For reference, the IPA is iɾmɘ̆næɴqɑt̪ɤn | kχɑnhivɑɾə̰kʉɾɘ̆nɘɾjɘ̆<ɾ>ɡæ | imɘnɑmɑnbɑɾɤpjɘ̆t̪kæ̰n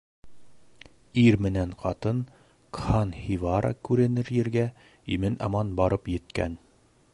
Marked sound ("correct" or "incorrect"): correct